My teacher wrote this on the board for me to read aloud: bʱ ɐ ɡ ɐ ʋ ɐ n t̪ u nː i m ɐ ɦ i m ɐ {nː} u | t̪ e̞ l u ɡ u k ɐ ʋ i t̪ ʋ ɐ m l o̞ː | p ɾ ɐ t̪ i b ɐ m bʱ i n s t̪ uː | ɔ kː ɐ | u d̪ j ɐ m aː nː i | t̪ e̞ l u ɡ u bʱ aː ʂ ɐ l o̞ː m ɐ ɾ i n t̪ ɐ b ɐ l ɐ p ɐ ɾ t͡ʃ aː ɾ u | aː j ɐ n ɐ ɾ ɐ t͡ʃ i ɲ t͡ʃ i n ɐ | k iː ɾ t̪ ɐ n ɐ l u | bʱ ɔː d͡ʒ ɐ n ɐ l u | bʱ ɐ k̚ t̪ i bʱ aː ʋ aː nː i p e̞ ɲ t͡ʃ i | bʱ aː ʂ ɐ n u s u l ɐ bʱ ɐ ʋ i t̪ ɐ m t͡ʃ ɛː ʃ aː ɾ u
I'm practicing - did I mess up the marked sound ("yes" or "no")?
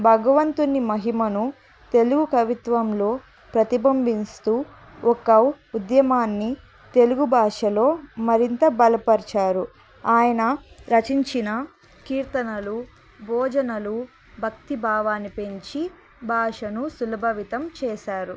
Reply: yes